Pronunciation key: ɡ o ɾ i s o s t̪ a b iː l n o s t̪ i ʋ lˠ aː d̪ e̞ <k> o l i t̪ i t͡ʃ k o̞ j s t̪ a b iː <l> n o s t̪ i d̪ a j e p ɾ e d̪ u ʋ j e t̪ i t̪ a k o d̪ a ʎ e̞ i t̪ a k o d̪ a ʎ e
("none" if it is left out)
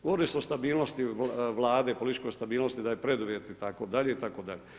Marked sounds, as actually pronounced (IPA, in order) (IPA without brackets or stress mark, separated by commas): p, l